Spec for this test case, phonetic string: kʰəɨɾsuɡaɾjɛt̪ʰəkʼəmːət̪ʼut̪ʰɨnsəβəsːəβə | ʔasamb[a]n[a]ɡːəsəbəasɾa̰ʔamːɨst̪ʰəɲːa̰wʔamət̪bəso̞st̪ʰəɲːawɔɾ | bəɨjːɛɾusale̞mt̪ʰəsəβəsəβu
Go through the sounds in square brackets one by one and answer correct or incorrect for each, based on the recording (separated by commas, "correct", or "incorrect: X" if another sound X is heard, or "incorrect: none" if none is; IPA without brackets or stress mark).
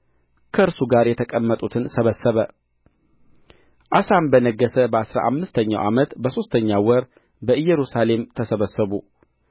incorrect: ə, incorrect: ə